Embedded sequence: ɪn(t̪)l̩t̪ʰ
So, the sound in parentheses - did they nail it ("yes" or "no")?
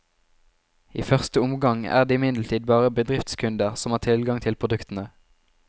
no